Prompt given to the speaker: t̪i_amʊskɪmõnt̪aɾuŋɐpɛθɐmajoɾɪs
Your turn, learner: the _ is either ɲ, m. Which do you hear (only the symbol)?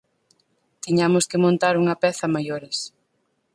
ɲ